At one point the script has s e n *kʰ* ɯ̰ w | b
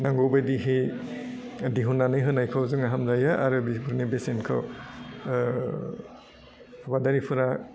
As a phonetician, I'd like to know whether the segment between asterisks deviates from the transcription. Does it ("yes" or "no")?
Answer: no